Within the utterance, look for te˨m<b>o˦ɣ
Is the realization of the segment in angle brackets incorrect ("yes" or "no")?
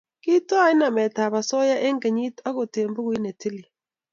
no